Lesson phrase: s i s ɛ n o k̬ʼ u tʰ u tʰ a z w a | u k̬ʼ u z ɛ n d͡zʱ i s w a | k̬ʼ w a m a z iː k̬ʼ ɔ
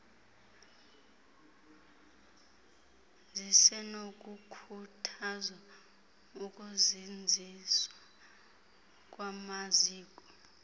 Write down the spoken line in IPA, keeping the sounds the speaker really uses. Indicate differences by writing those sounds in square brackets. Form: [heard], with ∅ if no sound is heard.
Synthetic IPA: [z] i s ɛ n o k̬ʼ u [kʰ] u tʰ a z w a | u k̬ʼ u z [i] n d͡zʱ i s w a | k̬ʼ w a m a z iː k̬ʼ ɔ